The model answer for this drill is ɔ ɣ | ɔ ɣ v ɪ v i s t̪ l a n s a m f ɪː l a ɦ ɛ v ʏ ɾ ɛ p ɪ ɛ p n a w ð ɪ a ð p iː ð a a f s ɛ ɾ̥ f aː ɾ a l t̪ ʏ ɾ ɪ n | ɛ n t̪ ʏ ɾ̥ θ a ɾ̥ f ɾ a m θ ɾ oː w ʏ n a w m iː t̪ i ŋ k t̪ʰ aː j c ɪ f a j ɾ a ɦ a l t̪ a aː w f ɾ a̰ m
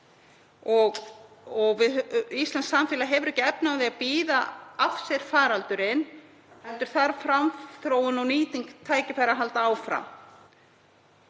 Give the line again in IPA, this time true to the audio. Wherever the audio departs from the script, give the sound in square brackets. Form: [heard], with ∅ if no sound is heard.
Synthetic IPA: ɔ ɣ | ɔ ɣ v ɪ [ð] i s t̪ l a n s a m f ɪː l a ɦ ɛ v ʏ ɾ ɛ [c] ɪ ɛ p n a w ð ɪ a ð p iː ð a a f s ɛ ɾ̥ f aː ɾ a l t̪ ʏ ɾ ɪ n | ɛ n t̪ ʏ ɾ̥ θ a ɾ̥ f ɾ a m θ ɾ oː w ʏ n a w [n] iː t̪ i ŋ k t̪ʰ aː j c ɪ f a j ɾ a ɦ a l t̪ a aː w f ɾ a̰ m